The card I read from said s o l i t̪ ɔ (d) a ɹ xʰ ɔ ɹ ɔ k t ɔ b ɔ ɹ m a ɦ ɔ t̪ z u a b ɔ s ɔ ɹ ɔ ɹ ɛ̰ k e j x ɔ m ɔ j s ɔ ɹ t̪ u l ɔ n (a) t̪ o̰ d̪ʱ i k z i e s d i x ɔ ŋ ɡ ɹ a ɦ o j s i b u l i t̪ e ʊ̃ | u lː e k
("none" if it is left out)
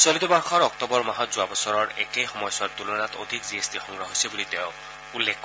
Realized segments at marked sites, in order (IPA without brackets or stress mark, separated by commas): b, a